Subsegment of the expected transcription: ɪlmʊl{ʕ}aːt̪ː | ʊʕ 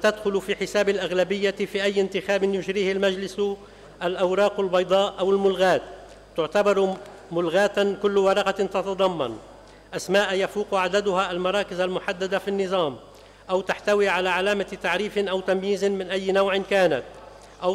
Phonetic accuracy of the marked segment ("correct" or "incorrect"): incorrect